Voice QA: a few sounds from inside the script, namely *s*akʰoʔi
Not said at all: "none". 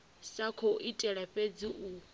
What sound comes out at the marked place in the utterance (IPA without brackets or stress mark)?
s